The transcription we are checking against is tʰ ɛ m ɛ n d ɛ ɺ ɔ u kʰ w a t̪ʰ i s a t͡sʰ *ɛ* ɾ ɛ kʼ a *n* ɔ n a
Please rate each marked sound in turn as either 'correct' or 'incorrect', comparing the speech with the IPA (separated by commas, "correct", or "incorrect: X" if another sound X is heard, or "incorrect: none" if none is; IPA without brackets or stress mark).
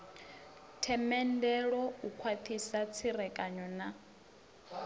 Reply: incorrect: i, incorrect: ɲ